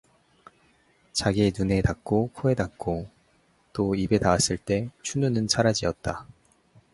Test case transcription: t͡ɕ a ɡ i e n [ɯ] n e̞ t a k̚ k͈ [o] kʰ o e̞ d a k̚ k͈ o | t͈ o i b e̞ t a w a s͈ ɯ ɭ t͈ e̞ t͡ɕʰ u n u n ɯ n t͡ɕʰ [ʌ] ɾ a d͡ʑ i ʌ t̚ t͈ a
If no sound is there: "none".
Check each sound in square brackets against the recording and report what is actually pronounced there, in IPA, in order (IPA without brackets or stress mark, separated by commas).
u, o, a